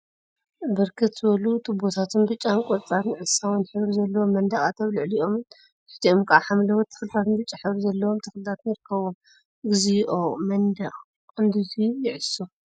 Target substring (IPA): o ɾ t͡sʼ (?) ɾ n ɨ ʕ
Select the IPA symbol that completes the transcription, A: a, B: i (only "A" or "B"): A